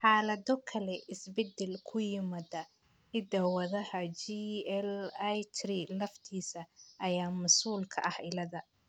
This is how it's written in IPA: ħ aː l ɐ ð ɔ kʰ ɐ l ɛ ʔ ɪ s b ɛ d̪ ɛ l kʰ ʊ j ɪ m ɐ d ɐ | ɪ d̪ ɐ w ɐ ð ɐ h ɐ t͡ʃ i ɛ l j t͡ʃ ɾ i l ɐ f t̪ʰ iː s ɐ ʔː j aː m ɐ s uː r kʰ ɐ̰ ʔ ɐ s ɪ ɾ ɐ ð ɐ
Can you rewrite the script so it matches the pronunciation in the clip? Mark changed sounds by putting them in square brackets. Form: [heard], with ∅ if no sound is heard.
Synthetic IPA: ħ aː l ɐ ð ɔ kʰ ɐ l ɛ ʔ ɪ s b ɛ d̪ ɛ l kʰ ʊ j ɪ m ɐ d ɐ | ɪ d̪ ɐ w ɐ ð ɐ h ɐ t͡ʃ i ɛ l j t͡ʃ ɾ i l ɐ f t̪ʰ iː s ɐ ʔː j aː m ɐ s uː [l] kʰ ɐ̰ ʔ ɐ [h] ɪ [l] ɐ ð ɐ